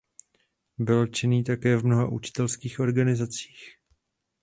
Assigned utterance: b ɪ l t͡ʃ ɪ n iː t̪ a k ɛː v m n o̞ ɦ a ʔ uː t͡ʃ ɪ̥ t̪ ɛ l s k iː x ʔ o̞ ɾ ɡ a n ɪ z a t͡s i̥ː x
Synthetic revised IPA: b ɪ l t͡ʃ ɪ n iː t̪ a k ɛː v m n o̞ ɦ a ʔ u t͡ʃ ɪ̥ t̪ ɛ l s k iː x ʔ o̞ ɾ ɡ a n ɪ z a t͡s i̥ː x